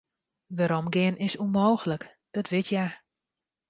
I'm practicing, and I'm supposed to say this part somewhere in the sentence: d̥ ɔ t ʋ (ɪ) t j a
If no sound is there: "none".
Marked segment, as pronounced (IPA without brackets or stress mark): ɪ